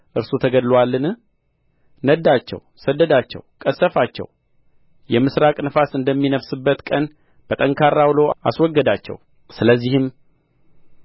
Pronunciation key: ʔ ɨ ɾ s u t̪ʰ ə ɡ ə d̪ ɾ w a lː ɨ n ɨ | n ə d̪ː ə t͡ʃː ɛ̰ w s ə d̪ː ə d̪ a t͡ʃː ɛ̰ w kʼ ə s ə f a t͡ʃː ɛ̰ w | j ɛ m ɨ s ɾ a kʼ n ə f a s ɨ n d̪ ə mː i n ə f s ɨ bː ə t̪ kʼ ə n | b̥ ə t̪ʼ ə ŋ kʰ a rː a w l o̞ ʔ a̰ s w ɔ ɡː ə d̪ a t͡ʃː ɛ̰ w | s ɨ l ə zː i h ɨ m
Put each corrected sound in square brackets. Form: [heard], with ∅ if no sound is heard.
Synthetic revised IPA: ʔ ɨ ɾ s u t̪ʰ ə ɡ ə d̪ [l] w a lː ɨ n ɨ | n ə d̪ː [a] t͡ʃː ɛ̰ w s ə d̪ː ə d̪ a t͡ʃː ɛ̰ w kʼ ə s ə f a t͡ʃː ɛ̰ w | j ɛ m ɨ s ɾ a kʼ n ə f a s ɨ n d̪ ə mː i n ə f s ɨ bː ə t̪ kʼ ə n | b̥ ə t̪ʼ ə ŋ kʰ a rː a w l o̞ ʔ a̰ s w ɔ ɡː ə d̪ a t͡ʃː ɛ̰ w | s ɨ l ə zː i h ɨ m